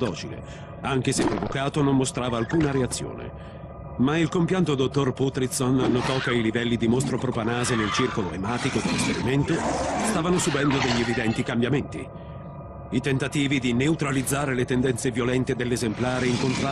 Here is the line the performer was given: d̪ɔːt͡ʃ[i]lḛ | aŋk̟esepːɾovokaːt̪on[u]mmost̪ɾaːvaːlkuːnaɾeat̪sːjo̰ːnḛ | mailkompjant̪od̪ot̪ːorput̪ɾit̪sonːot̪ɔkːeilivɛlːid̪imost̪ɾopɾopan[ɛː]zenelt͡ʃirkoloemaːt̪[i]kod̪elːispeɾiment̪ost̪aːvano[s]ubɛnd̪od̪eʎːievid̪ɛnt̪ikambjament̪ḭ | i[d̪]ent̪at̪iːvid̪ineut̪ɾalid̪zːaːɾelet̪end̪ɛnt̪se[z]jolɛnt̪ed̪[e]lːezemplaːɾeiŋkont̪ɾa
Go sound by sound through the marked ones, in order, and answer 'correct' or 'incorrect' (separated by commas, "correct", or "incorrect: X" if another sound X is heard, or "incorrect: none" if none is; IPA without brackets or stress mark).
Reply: correct, incorrect: o, incorrect: aː, correct, correct, incorrect: t̪, incorrect: v, correct